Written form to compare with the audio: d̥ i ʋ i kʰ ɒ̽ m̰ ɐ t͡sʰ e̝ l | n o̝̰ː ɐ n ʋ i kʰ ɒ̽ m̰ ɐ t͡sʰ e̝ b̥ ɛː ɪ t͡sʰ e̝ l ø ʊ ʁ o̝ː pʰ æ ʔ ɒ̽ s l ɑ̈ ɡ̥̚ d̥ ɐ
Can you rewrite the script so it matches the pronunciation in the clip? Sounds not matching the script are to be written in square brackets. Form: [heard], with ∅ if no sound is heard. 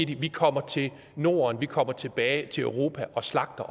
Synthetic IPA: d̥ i ʋ i kʰ ɒ̽ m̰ ɐ t͡sʰ e̝ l | n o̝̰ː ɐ n ʋ i kʰ ɒ̽ m̰ ɐ t͡sʰ e̝ b̥ ɛː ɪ t͡sʰ e̝ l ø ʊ ʁ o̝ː pʰ æ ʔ ɒ̽ s l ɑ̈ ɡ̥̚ d̥ ɐ